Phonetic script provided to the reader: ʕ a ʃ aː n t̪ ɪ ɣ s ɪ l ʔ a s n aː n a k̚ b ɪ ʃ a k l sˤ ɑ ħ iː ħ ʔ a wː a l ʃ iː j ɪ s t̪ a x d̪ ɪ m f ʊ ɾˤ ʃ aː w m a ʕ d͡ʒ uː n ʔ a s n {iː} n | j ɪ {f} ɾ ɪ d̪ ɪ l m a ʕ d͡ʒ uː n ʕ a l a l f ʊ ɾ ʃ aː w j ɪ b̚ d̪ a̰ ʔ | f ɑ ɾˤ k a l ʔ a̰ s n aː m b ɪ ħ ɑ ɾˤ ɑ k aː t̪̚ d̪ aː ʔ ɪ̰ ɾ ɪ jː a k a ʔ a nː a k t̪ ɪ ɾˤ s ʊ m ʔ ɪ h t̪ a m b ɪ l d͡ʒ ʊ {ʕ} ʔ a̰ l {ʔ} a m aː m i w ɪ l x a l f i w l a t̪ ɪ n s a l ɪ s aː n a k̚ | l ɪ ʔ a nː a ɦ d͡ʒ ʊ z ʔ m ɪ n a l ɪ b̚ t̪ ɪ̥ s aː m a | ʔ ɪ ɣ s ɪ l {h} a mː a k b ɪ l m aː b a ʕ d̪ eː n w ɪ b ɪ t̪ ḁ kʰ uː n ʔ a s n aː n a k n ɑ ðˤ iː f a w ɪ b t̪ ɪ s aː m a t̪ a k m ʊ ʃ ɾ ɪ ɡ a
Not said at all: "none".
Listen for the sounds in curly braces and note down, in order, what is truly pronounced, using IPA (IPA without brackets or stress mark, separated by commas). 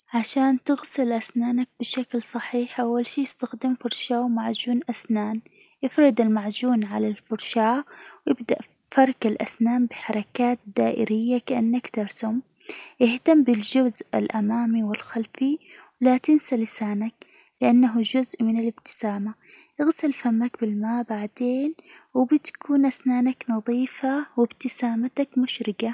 aː, f, z, ʔ, f